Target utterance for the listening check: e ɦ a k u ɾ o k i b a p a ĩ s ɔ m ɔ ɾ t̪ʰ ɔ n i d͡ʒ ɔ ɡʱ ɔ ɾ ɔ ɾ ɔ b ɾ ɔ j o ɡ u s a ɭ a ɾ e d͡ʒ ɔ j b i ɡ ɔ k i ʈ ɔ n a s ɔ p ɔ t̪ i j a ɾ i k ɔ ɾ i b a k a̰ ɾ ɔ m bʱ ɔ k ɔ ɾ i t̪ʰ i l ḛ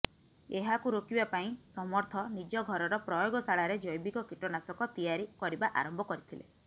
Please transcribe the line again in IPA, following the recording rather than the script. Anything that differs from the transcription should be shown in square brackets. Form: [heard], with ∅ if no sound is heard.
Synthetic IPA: e ɦ a k u ɾ o k i b a p a ĩ s ɔ m ɔ ɾ t̪ʰ ɔ n i d͡ʒ ɔ ɡʱ ɔ ɾ ɔ ɾ ɔ [p] ɾ ɔ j o ɡ [ɔ] s a ɭ a ɾ e d͡ʒ ɔ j b i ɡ ɔ k i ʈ ɔ n a s ɔ [k] ɔ t̪ i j a ɾ i k ɔ ɾ i b a [ʔ] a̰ ɾ ɔ m bʱ ɔ k ɔ ɾ i t̪ʰ i l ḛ

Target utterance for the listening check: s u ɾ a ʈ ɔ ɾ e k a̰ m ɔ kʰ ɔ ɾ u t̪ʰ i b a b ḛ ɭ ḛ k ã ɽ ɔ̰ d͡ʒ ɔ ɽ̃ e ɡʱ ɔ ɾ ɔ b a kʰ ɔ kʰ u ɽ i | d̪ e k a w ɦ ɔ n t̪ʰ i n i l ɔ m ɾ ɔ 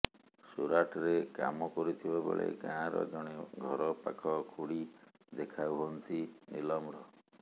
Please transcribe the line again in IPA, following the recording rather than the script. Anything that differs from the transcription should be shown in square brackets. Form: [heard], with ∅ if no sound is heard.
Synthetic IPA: s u ɾ a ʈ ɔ ɾ e k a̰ m ɔ [k] ɔ ɾ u t̪ʰ i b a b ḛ ɭ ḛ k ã [ɾ] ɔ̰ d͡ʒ ɔ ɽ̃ e ɡʱ ɔ ɾ ɔ [p] a kʰ ɔ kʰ u ɽ i | d̪ e [kʰ] a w ɦ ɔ n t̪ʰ i n i l ɔ m ɾ ɔ

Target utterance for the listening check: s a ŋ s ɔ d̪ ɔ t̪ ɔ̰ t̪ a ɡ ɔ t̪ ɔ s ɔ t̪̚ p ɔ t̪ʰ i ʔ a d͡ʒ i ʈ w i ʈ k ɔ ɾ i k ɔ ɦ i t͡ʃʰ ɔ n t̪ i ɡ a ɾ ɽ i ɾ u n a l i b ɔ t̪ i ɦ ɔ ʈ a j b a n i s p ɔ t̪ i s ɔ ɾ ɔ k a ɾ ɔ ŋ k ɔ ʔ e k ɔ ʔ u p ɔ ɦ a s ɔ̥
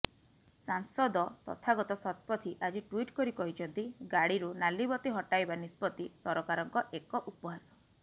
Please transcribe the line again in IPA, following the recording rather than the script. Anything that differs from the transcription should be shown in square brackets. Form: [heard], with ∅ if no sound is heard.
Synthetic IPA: s a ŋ s ɔ d̪ ɔ t̪ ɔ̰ [t̪ʰ] a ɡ ɔ t̪ ɔ s ɔ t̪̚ p ɔ t̪ʰ i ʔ a d͡ʒ i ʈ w i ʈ k ɔ ɾ i k ɔ ɦ i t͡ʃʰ ɔ n t̪ i ɡ a [∅] ɽ i ɾ u n a l i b ɔ t̪ i ɦ ɔ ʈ a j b a n i s p ɔ t̪ i s ɔ ɾ ɔ k a ɾ ɔ ŋ k ɔ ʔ e k ɔ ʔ u p ɔ ɦ a s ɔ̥

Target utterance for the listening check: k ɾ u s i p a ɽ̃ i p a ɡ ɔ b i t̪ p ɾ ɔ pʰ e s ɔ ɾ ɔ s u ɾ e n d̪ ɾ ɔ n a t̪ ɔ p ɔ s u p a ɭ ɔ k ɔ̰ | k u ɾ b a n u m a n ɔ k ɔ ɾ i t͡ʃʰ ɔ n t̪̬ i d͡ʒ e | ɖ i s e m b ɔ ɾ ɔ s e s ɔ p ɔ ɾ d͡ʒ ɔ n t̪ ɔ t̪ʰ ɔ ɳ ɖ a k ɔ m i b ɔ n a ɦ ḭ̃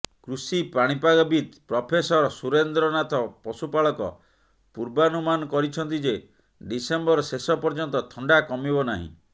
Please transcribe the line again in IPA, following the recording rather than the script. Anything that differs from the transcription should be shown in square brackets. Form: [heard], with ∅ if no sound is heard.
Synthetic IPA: k ɾ u s i p a ɽ̃ i p a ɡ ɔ b i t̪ p ɾ ɔ pʰ e s ɔ ɾ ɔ s u ɾ e n d̪ ɾ ɔ n a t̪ ɔ p ɔ s u p a ɭ ɔ k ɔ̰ | [p] u ɾ b a n u m a n ɔ k ɔ ɾ i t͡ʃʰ ɔ n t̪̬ i d͡ʒ e | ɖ i s e m b ɔ ɾ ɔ s e s ɔ p ɔ ɾ d͡ʒ ɔ n t̪ ɔ t̪ʰ ɔ ɳ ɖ a k ɔ m i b ɔ n a ɦ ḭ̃

